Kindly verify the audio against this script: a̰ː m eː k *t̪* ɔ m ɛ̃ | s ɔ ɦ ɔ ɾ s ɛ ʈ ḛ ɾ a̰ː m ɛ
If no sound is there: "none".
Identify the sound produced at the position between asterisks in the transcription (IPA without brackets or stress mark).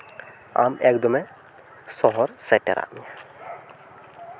d̪